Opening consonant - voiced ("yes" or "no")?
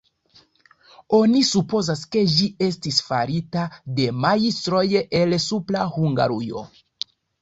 yes